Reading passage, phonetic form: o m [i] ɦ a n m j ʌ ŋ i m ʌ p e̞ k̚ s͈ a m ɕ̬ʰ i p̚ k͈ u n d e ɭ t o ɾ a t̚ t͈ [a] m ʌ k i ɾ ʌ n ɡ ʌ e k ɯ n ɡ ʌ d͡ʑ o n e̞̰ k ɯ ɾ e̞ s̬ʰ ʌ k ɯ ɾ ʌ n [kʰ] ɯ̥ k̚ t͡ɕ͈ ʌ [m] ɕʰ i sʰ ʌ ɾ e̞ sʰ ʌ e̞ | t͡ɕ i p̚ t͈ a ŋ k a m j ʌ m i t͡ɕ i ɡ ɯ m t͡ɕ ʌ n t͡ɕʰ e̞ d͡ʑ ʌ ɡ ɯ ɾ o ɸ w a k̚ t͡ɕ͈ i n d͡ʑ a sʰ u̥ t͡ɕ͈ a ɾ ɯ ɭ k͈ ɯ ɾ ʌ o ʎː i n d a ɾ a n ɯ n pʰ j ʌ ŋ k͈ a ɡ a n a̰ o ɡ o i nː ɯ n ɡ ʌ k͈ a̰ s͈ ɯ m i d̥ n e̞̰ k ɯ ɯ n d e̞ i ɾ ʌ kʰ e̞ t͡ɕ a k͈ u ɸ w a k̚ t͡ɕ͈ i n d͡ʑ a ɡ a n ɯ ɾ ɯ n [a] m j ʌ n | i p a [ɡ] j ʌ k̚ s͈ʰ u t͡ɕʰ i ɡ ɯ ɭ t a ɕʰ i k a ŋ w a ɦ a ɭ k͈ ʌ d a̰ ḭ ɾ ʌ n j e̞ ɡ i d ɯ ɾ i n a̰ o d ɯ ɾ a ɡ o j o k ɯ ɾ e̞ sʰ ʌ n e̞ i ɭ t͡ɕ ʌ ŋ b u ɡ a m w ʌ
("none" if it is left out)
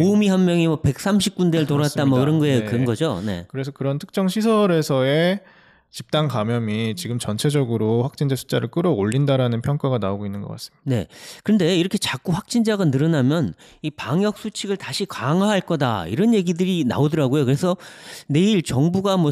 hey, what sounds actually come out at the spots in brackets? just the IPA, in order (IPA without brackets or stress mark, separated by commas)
i, a, tʰ, ŋ, a, ŋ